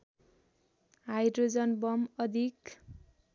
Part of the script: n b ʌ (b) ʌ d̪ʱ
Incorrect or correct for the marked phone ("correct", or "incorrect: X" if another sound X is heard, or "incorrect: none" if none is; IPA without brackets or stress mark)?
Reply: incorrect: m